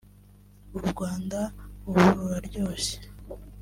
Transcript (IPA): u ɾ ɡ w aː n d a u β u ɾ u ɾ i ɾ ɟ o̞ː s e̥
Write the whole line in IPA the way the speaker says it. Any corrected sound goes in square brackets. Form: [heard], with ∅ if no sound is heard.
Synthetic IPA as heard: u ɾ ɡ w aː n d a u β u ɾ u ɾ [a] ɾ ɟ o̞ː s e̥